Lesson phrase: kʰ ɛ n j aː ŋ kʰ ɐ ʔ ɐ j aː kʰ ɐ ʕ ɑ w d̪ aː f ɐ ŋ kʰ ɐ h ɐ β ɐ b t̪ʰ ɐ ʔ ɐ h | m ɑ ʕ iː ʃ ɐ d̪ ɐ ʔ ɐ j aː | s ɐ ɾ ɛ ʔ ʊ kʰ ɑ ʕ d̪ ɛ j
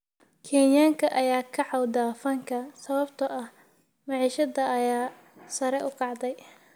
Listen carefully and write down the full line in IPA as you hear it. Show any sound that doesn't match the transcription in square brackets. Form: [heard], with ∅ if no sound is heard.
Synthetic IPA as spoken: kʰ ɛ n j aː ŋ kʰ ɐ ʔ ɐ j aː kʰ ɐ ʕ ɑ w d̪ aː f ɐ ŋ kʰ ɐ [s] ɐ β ɐ b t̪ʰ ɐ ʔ ɐ h | m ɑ ʕ iː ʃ ɐ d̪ ɐ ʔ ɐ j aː | s ɐ ɾ ɛ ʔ ʊ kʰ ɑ ʕ d̪ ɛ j